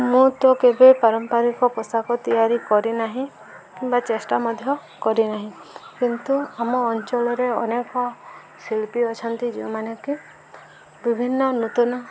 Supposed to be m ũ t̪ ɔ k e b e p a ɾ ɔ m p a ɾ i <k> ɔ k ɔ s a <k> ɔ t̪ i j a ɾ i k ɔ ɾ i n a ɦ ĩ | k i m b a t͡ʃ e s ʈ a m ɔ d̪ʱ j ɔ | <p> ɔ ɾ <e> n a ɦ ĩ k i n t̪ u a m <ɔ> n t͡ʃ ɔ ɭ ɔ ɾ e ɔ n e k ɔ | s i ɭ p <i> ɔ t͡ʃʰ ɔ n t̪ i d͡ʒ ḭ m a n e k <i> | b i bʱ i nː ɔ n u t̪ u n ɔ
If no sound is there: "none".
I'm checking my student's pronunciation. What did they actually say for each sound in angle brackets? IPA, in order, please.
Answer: k, k, k, i, ɔː, i, i

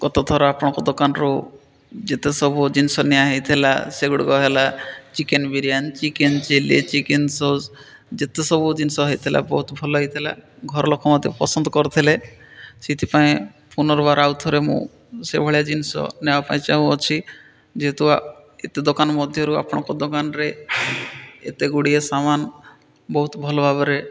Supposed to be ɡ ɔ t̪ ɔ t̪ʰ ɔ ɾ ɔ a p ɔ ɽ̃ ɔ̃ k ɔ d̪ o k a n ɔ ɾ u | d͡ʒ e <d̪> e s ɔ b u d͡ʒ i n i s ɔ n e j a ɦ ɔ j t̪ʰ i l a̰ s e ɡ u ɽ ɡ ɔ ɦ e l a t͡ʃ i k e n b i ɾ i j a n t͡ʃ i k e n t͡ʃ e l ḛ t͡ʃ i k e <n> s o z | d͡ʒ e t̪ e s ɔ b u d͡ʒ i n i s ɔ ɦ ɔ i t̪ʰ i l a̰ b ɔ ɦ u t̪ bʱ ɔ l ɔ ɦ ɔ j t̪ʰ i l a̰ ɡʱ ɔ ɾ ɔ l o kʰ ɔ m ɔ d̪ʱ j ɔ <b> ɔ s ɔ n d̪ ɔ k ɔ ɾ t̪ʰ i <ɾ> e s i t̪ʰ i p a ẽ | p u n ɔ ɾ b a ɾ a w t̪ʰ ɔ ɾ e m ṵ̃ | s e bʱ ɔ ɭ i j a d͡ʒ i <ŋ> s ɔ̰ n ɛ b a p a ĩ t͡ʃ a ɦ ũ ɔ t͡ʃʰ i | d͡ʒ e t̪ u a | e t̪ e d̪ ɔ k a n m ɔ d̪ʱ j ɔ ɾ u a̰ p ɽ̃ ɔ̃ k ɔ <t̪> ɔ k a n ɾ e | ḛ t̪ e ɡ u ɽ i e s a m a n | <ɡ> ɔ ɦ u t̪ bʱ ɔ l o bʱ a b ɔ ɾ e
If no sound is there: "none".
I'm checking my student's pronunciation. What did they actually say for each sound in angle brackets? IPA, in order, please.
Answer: t̪, n, p, l, n, d̪, b

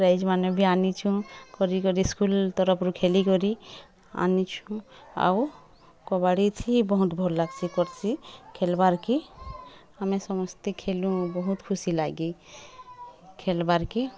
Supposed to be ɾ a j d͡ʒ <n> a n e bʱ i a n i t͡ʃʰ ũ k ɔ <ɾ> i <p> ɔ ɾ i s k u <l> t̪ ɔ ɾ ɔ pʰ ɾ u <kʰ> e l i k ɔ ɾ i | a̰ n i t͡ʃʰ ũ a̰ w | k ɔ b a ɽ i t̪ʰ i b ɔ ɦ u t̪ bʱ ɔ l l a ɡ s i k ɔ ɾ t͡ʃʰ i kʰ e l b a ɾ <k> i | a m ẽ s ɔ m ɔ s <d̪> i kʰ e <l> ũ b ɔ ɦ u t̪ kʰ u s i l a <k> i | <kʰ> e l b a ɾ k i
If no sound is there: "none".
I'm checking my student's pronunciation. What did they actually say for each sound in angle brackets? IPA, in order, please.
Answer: m, ɾ, k, l, kʰ, k, t̪, l, ɡ, kʰ

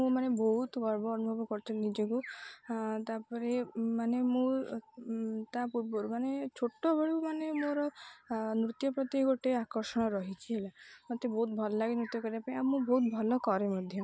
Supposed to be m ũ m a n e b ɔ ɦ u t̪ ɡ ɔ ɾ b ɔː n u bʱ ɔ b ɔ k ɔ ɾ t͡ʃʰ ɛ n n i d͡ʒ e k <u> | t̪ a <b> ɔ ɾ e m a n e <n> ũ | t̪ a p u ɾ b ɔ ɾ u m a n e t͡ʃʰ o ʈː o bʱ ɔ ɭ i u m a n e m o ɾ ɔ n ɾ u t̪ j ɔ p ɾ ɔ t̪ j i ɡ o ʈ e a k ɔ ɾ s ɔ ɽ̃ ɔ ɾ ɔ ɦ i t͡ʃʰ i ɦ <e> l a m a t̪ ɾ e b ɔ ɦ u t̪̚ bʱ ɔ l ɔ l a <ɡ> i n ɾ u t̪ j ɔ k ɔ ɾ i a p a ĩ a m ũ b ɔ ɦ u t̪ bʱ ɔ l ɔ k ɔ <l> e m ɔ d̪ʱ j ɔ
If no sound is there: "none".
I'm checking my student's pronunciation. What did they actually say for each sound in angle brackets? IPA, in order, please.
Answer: u, p, m, e, ɡ, ɾ

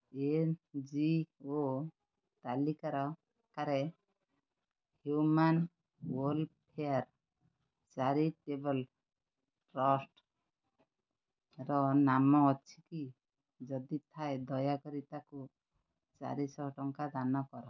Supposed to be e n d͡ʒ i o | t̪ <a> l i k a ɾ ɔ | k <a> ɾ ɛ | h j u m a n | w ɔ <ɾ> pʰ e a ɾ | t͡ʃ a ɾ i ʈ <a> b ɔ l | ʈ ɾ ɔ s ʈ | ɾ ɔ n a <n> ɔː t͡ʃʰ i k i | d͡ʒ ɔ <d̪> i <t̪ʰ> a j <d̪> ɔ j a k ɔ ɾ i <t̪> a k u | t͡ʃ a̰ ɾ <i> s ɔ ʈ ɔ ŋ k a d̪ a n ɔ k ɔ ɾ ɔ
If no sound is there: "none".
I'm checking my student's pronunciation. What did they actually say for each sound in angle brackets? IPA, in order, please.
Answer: a, a, l, e, m, d̪, t̪ʰ, d̪, t̪, i

